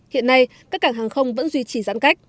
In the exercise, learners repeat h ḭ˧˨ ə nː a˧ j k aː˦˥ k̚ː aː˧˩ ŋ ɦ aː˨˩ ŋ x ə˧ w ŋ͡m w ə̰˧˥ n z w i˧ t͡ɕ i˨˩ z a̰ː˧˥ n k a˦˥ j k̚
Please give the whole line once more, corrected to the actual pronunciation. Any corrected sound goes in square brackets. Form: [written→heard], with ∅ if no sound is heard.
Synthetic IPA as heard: h ḭ˧˨ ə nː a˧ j k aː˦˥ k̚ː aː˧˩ ŋ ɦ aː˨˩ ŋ x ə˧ w ŋ͡m [w→v] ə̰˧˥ n z w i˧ t͡ɕ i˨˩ z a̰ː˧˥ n k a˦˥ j k̚